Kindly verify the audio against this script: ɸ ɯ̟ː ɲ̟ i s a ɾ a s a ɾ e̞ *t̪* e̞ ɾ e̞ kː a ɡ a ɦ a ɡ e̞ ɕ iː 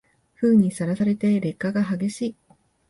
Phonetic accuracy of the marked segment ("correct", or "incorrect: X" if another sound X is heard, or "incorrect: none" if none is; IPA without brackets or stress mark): correct